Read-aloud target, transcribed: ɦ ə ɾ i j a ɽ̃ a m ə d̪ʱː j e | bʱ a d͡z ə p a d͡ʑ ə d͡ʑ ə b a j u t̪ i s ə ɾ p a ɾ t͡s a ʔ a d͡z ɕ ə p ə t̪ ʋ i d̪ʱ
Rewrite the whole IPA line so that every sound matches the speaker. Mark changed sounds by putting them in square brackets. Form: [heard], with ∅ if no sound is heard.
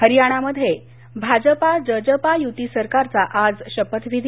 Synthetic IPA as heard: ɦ ə ɾ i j a ɽ̃ a m ə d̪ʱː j e | bʱ a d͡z ə p a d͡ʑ ə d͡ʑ ə [p] a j u t̪ i s ə ɾ [k] a ɾ t͡s a ʔ a d͡z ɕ ə p ə t̪ ʋ i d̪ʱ